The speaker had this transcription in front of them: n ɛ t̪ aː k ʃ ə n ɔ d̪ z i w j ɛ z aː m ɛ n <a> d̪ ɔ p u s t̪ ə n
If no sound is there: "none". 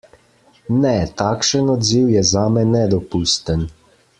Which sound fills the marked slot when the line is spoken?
ɛ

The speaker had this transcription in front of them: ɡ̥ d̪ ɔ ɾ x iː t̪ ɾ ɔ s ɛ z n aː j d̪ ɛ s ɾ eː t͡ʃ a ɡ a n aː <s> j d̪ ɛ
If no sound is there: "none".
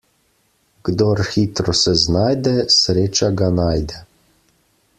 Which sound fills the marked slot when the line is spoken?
none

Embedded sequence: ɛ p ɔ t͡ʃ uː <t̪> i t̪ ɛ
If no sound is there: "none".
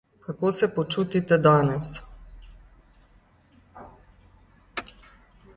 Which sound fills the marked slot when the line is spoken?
t̪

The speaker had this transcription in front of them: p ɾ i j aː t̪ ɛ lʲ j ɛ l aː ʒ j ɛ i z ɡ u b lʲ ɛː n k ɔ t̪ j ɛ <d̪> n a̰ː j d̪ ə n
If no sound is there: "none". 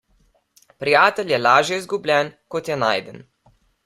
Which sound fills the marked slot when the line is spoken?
none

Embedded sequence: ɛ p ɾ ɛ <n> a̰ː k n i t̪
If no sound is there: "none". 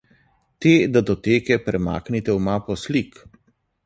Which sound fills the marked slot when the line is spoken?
m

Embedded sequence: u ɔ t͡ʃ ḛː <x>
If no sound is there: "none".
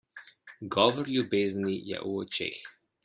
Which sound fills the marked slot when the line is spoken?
x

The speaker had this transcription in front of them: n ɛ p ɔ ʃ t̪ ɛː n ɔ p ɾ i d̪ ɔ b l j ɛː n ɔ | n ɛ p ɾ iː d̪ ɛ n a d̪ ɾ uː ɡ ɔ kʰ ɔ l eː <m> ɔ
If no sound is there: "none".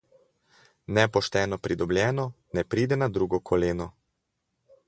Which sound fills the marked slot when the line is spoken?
n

